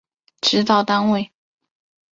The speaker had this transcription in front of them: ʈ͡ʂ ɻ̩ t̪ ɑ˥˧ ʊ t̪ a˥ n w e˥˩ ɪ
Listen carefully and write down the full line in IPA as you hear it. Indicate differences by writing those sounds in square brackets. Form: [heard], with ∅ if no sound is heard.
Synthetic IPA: ʈ͡ʂ ɻ̩ t̪ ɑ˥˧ ʊ t̪ a˥ n w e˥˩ ɪ